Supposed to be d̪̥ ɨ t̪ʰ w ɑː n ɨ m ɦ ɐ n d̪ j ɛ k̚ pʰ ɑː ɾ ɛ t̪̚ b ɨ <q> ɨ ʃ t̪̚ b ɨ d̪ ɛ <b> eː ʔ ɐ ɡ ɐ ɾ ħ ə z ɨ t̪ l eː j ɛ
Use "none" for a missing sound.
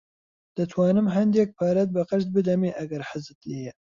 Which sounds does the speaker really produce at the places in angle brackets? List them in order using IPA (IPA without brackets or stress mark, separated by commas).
q, m